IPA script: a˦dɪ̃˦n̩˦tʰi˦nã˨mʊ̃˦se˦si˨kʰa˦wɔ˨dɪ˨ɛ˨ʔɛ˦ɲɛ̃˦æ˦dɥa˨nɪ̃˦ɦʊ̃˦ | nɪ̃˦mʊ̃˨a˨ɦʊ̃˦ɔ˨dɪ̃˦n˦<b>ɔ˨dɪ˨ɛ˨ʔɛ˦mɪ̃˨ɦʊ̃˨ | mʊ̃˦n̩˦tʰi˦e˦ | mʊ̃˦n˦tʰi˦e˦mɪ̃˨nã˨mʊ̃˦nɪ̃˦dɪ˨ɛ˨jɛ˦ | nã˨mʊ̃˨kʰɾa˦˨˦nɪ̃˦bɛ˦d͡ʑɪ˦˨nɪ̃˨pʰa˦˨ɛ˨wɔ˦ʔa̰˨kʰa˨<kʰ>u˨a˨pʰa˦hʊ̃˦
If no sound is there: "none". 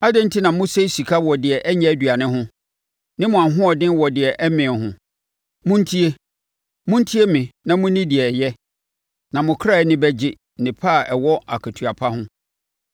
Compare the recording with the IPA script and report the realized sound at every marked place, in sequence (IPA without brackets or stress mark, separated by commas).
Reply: w, tʰ